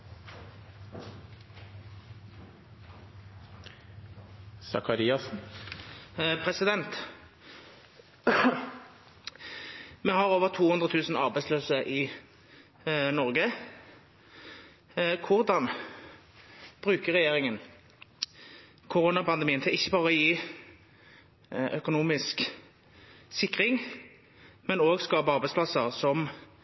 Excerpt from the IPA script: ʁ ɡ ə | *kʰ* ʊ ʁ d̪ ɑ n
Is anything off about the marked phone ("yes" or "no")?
no